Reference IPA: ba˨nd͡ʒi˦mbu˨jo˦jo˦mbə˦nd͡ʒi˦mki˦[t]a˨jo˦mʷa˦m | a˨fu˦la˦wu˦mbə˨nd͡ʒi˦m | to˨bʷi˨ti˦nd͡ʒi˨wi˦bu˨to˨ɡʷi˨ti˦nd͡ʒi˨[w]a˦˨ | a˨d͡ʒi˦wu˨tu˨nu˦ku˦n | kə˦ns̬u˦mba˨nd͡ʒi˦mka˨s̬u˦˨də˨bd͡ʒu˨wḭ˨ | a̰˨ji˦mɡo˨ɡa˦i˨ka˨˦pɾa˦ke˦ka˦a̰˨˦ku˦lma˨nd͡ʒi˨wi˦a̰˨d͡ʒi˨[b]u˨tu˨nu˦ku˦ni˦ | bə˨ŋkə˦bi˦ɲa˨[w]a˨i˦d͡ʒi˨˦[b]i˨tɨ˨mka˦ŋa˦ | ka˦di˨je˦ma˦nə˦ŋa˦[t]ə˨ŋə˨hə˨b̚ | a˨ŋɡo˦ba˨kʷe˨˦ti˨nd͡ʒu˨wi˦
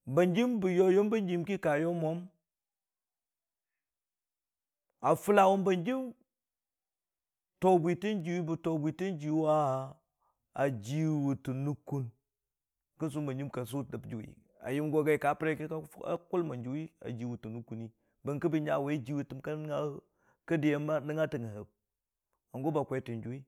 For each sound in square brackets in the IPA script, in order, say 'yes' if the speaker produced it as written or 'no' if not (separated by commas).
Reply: no, yes, no, yes, no, yes